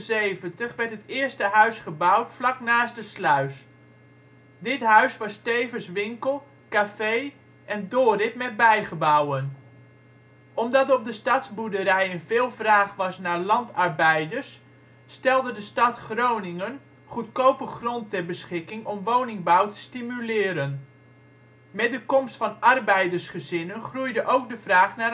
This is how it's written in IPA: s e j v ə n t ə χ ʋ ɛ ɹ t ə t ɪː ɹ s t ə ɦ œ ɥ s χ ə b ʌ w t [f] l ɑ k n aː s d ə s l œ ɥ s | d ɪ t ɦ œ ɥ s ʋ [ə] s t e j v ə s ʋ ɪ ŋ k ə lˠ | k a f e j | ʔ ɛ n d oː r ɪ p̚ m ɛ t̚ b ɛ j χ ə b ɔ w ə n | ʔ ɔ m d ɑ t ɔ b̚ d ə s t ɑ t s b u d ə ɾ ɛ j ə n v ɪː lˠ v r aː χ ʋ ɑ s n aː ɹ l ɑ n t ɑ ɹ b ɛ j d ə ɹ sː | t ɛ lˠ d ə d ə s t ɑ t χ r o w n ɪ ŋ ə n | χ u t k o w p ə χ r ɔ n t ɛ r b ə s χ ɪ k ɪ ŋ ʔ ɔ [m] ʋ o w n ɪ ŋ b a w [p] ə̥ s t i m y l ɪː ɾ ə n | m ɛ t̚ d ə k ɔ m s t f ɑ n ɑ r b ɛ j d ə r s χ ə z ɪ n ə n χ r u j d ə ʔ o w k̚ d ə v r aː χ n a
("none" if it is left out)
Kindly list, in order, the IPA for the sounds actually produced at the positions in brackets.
f, ɑ, m, t

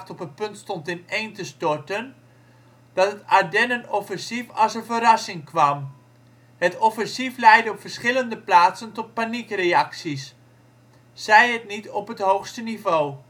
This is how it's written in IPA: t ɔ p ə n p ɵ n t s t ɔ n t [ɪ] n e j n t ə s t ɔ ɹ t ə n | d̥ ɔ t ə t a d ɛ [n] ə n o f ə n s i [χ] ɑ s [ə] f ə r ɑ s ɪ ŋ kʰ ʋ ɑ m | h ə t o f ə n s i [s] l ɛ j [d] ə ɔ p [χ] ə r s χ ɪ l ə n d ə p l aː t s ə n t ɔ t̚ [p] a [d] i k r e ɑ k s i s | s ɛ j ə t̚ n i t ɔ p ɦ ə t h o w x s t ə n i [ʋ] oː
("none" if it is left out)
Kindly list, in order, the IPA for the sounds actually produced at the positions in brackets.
ɪ, n, f, ə, f, d, f, p, n, v

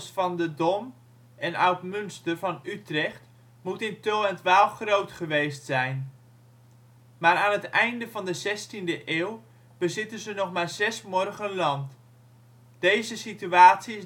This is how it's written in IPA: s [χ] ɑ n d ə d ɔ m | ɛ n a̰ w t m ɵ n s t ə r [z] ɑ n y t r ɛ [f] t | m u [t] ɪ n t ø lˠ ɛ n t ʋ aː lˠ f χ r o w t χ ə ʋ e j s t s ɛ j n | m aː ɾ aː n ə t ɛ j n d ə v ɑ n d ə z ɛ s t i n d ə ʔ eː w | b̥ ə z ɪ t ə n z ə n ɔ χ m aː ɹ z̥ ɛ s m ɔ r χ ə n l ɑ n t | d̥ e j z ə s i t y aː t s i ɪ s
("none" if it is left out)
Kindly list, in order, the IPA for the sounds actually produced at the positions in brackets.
f, v, χ, t

